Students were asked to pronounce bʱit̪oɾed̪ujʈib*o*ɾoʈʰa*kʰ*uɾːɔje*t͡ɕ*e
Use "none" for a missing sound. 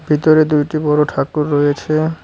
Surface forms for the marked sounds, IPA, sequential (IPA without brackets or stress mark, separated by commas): ɔ, k, t͡ɕʰ